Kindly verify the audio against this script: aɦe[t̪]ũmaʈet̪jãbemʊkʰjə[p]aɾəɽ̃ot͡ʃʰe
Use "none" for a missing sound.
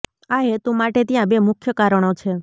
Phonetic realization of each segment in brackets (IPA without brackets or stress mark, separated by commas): t̪, k